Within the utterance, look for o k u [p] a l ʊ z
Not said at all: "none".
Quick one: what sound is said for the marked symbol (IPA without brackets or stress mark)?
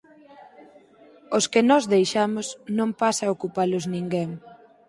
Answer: p